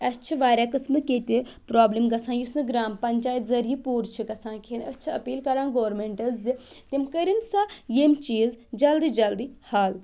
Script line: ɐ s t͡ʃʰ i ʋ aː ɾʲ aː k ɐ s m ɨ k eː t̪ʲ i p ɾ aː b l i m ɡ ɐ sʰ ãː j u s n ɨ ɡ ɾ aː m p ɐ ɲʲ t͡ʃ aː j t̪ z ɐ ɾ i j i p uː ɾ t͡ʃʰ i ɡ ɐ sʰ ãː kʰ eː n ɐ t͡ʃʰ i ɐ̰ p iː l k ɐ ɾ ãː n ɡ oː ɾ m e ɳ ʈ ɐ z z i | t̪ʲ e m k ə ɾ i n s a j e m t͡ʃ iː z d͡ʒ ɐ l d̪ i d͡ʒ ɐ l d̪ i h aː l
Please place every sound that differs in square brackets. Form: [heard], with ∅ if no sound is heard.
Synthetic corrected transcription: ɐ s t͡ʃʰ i ʋ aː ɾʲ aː k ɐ s m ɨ k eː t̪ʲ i p ɾ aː b l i m ɡ ɐ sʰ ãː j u s n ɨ ɡ ɾ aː m p ɐ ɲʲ t͡ʃ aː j t̪ z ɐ ɾ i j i p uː ɾ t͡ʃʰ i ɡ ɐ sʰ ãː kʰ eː n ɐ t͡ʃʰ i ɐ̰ p iː l k ɐ ɾ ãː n ɡ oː ɾ m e ɳ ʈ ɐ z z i | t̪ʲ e m k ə ɾ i n s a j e m t͡ʃ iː z d͡ʒ ɐ l d̪ i d͡ʒ ɐ l d̪ i h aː l